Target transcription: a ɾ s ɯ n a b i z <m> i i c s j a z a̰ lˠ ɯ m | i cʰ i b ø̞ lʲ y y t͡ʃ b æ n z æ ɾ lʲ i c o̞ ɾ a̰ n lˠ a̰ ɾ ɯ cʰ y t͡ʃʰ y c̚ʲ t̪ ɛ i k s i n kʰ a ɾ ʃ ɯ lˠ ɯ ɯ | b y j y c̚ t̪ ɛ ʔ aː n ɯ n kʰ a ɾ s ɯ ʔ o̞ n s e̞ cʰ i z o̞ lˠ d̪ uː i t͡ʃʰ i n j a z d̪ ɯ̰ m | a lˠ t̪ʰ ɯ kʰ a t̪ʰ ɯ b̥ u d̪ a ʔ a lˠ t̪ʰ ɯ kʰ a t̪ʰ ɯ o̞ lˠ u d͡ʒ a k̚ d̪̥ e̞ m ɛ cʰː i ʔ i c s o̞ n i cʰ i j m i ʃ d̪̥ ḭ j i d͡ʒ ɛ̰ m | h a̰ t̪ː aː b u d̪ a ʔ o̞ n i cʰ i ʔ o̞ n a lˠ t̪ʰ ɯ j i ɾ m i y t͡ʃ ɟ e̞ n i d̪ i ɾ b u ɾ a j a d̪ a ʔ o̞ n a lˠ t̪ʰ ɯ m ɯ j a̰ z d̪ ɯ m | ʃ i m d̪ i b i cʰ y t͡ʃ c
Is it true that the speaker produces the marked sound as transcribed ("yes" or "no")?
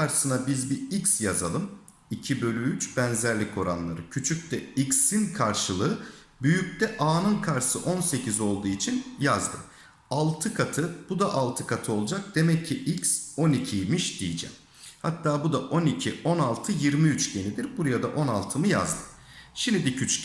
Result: no